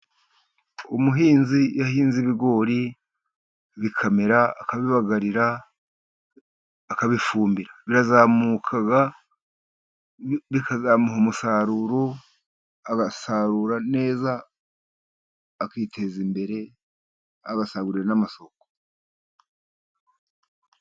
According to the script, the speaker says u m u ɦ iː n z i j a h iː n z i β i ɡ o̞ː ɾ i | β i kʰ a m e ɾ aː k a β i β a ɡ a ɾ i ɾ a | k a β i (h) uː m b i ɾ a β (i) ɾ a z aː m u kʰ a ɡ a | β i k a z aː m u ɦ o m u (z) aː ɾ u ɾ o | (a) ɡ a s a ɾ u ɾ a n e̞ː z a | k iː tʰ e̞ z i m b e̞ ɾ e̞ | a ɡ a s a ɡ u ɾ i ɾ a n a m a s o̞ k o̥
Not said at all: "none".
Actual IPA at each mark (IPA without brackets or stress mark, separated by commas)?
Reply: f, i, s, a